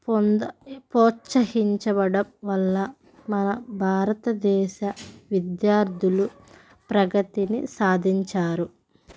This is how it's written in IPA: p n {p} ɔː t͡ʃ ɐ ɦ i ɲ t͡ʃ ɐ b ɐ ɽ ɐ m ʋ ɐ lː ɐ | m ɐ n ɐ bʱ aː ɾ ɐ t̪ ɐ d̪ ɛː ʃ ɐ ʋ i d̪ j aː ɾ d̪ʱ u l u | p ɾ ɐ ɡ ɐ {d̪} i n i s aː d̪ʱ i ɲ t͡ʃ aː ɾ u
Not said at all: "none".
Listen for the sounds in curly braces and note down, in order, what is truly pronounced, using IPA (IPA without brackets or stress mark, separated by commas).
p, t̪